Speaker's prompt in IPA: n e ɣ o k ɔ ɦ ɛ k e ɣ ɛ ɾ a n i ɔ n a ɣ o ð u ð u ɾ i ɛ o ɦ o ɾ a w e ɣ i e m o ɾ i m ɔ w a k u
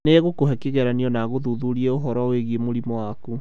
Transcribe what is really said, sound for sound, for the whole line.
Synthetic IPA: n e ɣ o k o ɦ ɛ k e ɣ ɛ ɾ a n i ɔ n a ɣ o ð u ð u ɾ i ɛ o ɦ ɔ ɾ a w e ɣ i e m o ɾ i m ɔ w a k u